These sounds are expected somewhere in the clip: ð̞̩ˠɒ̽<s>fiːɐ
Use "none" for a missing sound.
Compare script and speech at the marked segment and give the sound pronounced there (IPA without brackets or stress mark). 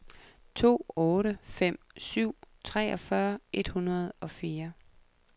none